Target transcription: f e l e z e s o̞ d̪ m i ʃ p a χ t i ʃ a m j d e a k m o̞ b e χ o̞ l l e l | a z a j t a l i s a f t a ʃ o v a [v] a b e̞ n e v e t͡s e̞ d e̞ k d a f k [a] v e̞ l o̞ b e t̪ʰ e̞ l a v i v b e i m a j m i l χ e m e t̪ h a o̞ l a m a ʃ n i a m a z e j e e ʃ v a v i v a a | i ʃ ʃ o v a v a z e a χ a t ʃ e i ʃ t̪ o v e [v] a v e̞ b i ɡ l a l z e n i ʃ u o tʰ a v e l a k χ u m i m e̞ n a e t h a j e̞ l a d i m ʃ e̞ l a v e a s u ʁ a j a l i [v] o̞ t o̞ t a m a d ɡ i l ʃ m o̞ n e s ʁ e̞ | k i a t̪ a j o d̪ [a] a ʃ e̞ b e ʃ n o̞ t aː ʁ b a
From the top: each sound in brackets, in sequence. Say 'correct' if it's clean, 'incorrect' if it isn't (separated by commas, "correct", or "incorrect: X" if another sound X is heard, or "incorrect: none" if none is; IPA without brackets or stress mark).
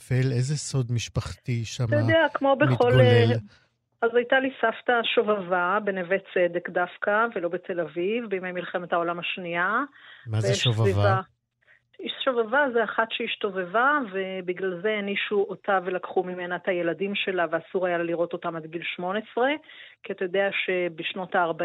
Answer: correct, correct, correct, incorrect: ʁ, incorrect: e